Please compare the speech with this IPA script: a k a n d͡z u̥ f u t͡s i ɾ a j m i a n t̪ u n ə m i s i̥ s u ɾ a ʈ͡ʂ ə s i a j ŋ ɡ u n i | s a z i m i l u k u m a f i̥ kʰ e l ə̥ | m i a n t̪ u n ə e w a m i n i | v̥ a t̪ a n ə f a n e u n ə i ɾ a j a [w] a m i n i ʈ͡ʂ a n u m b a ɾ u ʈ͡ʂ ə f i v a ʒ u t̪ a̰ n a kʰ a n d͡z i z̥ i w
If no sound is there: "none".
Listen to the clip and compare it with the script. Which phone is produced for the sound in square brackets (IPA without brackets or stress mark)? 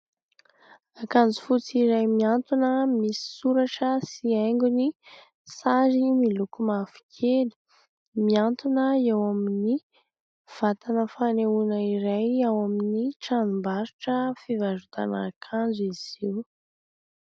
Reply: w